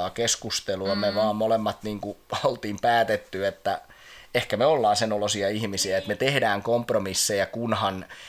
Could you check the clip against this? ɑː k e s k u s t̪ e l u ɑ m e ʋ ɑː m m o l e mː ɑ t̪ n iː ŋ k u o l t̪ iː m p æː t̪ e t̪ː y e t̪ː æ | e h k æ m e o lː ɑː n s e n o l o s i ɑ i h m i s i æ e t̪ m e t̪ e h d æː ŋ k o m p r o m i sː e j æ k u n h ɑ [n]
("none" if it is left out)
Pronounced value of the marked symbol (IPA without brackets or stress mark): n